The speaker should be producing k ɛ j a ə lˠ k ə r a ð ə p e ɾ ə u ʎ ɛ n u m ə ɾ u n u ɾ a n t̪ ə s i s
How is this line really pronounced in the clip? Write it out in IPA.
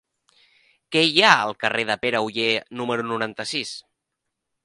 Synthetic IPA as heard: k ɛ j a ə lˠ k ə r e ð ə p e ɾ ə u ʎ e n u m ə ɾ u n u ɾ a n t̪ ə s i s